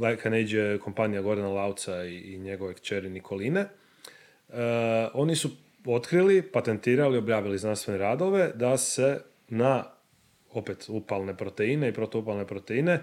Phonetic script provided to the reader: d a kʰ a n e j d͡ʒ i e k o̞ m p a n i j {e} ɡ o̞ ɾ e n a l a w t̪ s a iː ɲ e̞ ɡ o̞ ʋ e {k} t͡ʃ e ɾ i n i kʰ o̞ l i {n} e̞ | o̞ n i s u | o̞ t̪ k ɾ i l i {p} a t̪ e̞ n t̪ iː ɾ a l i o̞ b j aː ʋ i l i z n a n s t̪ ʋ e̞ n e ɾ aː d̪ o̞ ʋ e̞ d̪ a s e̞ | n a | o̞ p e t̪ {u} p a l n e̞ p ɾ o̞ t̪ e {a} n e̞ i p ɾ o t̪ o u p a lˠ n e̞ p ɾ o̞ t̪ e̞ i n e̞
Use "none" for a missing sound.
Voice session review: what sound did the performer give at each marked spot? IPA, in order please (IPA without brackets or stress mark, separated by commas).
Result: a, k, n, p, u, i